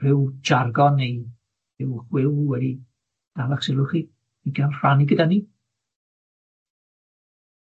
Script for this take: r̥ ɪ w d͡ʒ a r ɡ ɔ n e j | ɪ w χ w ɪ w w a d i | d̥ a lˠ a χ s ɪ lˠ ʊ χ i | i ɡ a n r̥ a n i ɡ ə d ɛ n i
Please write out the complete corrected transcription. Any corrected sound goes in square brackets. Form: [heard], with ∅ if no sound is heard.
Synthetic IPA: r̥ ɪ w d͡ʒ a r ɡ ɔ n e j | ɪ w χ w ɪ w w [ɛ] d i | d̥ a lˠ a χ s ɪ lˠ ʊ χ i | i ɡ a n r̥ a n i ɡ ə d [a] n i